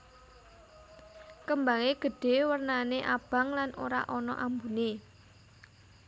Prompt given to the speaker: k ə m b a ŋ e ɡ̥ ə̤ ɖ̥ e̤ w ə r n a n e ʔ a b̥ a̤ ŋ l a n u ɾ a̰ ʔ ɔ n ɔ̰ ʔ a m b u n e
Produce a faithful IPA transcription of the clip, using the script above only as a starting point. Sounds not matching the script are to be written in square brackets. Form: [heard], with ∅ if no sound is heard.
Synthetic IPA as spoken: k ə m b a ŋ e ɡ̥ ə̤ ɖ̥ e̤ w ə r n a n e ʔ a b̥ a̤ ŋ l a n [o] ɾ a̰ ʔ ɔ n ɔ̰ ʔ a m b u n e